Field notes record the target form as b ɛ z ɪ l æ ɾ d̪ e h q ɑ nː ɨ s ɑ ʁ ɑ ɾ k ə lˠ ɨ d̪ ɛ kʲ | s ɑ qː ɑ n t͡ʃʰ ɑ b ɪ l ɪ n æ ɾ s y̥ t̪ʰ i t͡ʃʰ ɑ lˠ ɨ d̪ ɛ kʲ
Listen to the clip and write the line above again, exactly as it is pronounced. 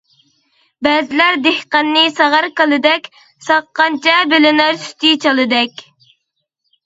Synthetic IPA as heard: b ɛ z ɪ l æ ɾ d̪ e h q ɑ nː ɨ s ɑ ʁ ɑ ɾ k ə lˠ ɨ d̪ ɛ kʲ | s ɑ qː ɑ n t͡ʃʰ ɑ b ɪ l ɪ n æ ɾ s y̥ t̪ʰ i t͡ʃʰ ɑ lˠ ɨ d̪ ɛ kʲ